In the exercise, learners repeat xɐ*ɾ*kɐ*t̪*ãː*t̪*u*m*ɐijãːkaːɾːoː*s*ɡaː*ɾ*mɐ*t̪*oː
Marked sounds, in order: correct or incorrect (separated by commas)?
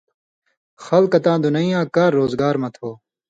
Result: incorrect, correct, incorrect, incorrect, incorrect, correct, incorrect